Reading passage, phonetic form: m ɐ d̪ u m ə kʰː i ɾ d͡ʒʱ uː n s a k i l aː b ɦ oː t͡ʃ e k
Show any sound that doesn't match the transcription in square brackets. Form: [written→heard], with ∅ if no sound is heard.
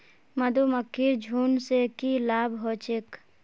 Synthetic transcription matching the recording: m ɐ d̪ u m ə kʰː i ɾ d͡ʒʱ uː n s [a→e] k i l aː b ɦ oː t͡ʃ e k

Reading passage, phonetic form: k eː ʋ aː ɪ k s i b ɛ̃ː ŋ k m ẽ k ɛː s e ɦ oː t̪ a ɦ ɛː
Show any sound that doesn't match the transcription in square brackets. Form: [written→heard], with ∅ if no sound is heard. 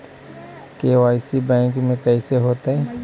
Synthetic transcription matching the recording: k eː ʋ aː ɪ [k→∅] s i b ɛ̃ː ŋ k m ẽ k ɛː s e ɦ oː t̪ a ɦ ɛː

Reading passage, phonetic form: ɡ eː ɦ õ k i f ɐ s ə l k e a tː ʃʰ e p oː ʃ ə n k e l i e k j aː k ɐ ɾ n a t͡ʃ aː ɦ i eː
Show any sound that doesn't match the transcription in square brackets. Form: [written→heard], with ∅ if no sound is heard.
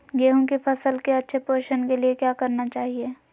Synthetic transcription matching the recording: ɡ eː ɦ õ k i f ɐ s ə l k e [a→ɐ] tː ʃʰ e p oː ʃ ə n k e l i e k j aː k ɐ ɾ n a t͡ʃ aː ɦ i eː

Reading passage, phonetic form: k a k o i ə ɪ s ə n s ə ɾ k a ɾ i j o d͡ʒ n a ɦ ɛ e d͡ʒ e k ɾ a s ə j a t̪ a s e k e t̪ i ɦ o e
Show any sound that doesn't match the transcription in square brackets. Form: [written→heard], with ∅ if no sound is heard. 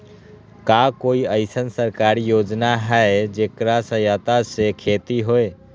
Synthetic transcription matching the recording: k a k o i ə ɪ s ə n s ə ɾ k a ɾ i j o d͡ʒ n a ɦ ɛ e d͡ʒ e k ɾ a s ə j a t̪ a s e [k→kʰ] e t̪ i ɦ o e

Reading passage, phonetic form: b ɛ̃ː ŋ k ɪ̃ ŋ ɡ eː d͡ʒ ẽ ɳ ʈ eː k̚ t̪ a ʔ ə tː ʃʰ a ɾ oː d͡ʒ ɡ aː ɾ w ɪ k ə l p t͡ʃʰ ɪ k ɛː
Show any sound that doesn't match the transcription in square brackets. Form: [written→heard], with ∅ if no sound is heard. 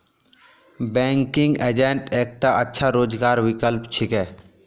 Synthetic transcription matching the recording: b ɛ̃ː ŋ k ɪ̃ ŋ ɡ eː d͡ʒ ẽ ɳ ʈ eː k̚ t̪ a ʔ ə tː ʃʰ a ɾ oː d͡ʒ ɡ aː ɾ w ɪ k ə l p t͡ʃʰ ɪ k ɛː

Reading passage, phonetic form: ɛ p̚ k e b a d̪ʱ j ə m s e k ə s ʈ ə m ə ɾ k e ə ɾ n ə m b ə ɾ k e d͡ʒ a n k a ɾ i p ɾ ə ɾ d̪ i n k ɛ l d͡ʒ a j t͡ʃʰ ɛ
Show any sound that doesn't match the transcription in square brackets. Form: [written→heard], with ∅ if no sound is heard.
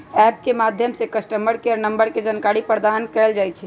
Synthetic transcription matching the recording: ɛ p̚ k e [b→m] a d̪ʱ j ə m s e k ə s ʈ ə m ə ɾ k e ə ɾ n ə m b ə ɾ k e d͡ʒ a n k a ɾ i p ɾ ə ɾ d̪ [i→a] n k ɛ l d͡ʒ a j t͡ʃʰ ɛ

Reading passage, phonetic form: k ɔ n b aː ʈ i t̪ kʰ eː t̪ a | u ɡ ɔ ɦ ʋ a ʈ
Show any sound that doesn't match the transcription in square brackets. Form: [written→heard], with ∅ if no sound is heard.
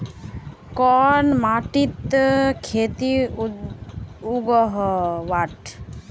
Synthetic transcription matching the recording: k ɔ n [b→m] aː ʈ i t̪ kʰ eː t̪ [a→i] | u ɡ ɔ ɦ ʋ a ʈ

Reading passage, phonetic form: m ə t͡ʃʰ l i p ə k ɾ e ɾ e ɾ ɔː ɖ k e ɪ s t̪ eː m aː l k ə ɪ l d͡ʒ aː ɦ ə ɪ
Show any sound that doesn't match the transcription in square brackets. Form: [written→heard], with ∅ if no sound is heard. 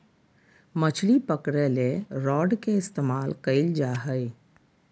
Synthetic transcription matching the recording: m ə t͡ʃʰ l i p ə k ɾ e [ɾ→l] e ɾ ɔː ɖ k e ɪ s t̪ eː m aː l k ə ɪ l d͡ʒ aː ɦ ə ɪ

